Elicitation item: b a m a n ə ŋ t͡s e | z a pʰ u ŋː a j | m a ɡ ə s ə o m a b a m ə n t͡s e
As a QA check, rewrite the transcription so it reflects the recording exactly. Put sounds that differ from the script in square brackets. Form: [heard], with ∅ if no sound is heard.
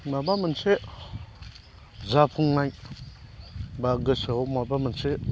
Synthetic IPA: [m] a [b] a [m] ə [n] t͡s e | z a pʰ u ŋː a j | [b] a ɡ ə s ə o m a b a m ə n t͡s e